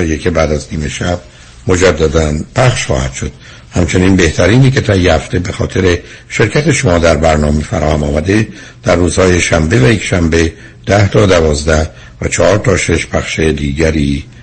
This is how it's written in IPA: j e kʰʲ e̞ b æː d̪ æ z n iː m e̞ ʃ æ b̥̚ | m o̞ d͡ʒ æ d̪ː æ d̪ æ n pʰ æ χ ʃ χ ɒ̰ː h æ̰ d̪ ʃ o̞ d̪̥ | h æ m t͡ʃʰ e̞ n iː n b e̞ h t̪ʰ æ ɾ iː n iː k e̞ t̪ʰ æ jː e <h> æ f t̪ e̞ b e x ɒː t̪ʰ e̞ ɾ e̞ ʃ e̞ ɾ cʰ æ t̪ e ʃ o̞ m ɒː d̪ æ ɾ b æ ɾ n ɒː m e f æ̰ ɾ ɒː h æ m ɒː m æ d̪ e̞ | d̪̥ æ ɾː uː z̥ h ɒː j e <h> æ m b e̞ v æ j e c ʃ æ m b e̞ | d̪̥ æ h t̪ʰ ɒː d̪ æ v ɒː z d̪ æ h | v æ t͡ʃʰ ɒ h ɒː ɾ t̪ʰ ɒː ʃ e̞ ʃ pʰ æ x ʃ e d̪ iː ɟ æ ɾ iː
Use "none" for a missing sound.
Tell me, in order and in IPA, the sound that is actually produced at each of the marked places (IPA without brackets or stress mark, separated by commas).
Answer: h, ʃ